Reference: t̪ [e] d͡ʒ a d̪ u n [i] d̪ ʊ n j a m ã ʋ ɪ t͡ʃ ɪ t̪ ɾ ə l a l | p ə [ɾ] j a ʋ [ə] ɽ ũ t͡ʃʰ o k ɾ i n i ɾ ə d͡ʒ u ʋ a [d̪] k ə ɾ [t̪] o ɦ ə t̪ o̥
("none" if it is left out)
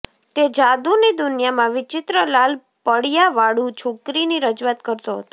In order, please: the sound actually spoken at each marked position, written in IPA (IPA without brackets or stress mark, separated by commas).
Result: e, i, ɽ, a, t̪, t̪